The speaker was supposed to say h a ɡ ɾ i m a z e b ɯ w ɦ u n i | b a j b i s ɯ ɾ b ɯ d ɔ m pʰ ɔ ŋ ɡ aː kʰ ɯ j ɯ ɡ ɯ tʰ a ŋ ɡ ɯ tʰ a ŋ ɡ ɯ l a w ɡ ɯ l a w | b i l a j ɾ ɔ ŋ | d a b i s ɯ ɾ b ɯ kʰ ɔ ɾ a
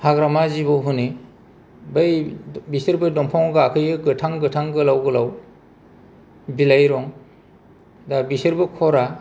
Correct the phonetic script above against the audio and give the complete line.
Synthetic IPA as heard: h a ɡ ɾ a m a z i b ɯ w ɦ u n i | b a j b i s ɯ ɾ b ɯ d ɔ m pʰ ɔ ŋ ɡ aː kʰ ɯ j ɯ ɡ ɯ tʰ a ŋ ɡ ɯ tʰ a ŋ ɡ ɯ l a w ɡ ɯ l a w | b i l a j ɾ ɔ ŋ | d a b i s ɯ ɾ b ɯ kʰ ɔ ɾ a